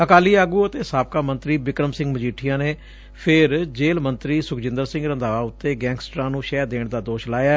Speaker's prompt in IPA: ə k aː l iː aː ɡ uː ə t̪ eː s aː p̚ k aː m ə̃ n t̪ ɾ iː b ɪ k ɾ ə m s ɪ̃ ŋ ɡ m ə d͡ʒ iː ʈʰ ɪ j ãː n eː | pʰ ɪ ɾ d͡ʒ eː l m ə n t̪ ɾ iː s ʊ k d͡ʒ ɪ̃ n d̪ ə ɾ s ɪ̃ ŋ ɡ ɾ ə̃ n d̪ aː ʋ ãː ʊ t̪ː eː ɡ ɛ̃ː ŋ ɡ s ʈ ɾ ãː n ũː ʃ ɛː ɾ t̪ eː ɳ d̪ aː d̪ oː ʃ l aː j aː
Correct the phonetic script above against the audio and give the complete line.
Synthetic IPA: ə k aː l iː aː ɡ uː ə t̪ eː s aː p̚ k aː m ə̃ n t̪ ɾ iː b ɪ k ɾ ə m s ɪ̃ ŋ ɡ m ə d͡ʒ iː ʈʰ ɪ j ãː n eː | pʰ ɪ ɾ d͡ʒ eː l m ə n t̪ ɾ iː s ʊ k d͡ʒ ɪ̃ n d̪ ə ɾ s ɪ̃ ŋ ɡ ɾ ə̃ n d̪ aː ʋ aː ʊ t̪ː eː ɡ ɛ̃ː ŋ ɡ s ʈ ɾ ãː n ũː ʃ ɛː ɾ d̪ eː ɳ d̪ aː d̪ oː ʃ l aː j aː